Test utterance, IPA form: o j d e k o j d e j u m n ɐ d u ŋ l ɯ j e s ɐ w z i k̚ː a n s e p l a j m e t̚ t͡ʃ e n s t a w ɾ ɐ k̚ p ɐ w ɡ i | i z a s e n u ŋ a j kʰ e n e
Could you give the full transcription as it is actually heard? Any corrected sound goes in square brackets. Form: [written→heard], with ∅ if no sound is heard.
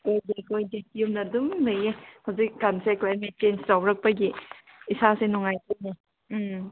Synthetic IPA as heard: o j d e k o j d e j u m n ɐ d u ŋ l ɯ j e [s→h] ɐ w z i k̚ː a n s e [p→k] l a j m e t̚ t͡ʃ e n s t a w ɾ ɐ k̚ p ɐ [w→∅] ɡ i | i [z→s] a s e n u ŋ a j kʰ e n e

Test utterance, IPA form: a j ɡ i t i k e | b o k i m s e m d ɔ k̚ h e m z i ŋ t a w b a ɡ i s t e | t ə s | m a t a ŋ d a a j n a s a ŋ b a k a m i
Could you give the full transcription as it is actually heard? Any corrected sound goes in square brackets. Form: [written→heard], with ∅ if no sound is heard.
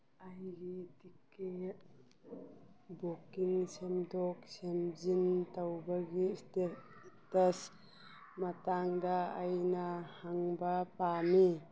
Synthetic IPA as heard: a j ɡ i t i k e | b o k i [m→ŋ] s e m d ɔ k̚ [h→s] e m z i [ŋ→n] t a w b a ɡ i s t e | t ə s | m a t a ŋ d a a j n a [s→h] a ŋ b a [k→p] a m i

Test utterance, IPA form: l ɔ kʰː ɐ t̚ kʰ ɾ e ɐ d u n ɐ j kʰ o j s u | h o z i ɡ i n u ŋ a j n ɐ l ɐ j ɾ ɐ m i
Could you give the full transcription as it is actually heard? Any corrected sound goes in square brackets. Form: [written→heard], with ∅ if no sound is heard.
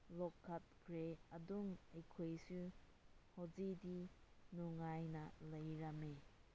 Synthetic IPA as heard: l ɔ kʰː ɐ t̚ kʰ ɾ e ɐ d u [n→ŋ] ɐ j kʰ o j s u | h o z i [ɡ→d] i n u ŋ a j n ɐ l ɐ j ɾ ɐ m [i→e]

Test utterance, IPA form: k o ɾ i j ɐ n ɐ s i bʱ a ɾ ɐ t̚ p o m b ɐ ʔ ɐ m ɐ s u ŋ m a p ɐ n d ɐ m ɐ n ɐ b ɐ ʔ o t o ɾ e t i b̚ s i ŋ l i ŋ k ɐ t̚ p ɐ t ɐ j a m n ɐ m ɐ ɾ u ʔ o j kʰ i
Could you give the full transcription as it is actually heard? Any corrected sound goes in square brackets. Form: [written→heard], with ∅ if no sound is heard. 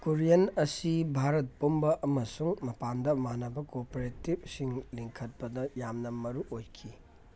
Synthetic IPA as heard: k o ɾ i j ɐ n ɐ s i bʱ a ɾ ɐ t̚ p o m b ɐ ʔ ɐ m ɐ s u ŋ m [a→ɐ] p [ɐ→a] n d ɐ m [ɐ→a] n ɐ b ɐ [ʔ→k] o [t→p] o ɾ e t i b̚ s i ŋ l i ŋ [k→kʰ] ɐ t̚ p ɐ [t→d] ɐ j a m n ɐ m ɐ ɾ u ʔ o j kʰ i

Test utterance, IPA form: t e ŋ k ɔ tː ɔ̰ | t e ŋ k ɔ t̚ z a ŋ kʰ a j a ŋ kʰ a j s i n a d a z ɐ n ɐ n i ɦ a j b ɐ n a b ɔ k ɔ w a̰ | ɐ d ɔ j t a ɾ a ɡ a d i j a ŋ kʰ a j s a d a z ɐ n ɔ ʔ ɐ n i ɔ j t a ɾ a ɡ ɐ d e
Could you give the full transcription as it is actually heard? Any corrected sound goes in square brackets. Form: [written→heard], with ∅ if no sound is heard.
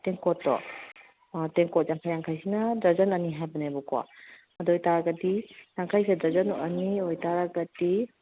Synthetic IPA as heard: t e ŋ k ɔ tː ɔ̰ | t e ŋ k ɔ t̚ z a ŋ kʰ a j a ŋ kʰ a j s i n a d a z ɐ n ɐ n i ɦ a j b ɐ n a b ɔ k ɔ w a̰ | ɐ d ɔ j t a ɾ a ɡ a d i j a ŋ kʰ a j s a d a z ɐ n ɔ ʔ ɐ n i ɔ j t a ɾ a ɡ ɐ d [e→i]

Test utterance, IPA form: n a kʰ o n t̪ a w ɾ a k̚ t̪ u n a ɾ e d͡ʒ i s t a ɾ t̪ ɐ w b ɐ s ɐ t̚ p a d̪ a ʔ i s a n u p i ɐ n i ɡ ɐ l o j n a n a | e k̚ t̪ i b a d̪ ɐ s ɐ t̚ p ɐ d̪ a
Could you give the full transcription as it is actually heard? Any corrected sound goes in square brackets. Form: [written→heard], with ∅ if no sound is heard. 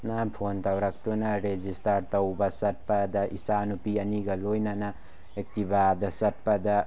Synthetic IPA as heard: n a [kʰ→pʰ] o n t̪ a w ɾ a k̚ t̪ u n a ɾ e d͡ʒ i s t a ɾ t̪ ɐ w b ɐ s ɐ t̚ p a d̪ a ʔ i s a n u p i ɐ n i ɡ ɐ l o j n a n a | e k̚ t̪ i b a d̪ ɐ s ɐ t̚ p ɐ d̪ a

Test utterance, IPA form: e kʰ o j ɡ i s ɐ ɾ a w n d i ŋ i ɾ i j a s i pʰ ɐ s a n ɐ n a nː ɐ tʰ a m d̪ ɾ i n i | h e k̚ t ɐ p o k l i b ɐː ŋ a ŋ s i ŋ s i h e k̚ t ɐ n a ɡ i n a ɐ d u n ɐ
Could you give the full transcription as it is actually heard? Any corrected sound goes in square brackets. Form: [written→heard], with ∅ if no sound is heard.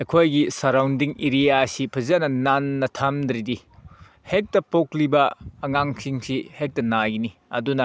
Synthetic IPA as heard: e kʰ o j ɡ i s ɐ ɾ a w n d i ŋ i ɾ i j a s i pʰ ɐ [s→z] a n ɐ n a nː ɐ tʰ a m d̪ ɾ i [n→d] i | h e k̚ t ɐ p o k l i b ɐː ŋ a ŋ s i ŋ s i h e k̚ t ɐ n a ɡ i n [a→i] ɐ d u n ɐ

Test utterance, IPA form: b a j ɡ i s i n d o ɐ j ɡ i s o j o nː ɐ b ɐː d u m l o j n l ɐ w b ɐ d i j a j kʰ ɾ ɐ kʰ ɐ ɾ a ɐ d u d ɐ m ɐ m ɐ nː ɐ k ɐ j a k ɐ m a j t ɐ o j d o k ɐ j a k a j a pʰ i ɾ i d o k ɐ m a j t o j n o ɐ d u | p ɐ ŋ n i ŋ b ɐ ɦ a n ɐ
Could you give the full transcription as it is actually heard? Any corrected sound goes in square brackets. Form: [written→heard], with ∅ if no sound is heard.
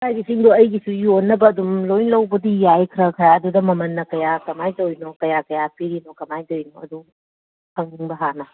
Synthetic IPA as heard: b a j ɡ i s i [n→ŋ] d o ɐ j ɡ i s [o→u] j o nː ɐ b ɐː d u m l o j n l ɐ w b ɐ d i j a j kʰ ɾ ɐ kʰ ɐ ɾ a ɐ d u d ɐ m ɐ m ɐ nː ɐ k ɐ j a k ɐ m a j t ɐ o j [d→n] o k ɐ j a k [a→ɐ] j a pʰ i ɾ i [d→n] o k ɐ m a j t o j n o ɐ d u | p ɐ ŋ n i ŋ b ɐ ɦ a n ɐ

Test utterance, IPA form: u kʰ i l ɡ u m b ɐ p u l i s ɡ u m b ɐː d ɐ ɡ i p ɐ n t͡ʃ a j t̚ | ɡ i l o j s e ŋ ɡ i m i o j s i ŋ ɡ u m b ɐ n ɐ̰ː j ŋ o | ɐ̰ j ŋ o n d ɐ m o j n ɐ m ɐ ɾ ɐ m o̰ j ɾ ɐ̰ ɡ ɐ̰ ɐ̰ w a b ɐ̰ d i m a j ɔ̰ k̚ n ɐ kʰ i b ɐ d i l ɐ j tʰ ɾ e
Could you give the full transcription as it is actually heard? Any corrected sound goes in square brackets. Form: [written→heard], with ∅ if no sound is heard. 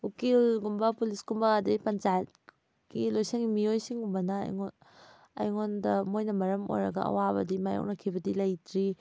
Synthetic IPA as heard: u [kʰ→k] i l ɡ u m b ɐ p u l i s ɡ u m b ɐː d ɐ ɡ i p ɐ n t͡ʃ a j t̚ | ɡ i l o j s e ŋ ɡ i m i o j s i ŋ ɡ u m b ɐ n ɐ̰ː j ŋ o | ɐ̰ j ŋ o n d ɐ m o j n ɐ m ɐ ɾ ɐ m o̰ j ɾ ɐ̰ ɡ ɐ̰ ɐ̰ w a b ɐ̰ d i m a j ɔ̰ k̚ n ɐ kʰ i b ɐ d i l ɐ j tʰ ɾ [e→i]

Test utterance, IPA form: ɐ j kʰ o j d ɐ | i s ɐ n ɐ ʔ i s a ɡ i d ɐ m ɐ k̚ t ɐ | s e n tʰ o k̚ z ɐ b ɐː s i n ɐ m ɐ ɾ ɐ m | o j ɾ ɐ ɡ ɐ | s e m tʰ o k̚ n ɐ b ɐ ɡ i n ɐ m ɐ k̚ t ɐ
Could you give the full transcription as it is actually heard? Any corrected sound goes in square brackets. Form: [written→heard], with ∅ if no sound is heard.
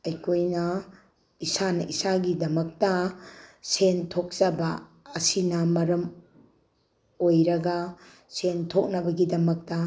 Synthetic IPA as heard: ɐ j kʰ o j [d→n] ɐ | i s [ɐ→a] n ɐ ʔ i s a ɡ i d ɐ m ɐ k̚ t ɐ | s e n tʰ o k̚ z ɐ b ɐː s i n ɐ m ɐ ɾ ɐ m | o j ɾ ɐ ɡ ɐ | s e [m→n] tʰ o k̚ n ɐ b ɐ ɡ i [n→d] ɐ m ɐ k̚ t ɐ

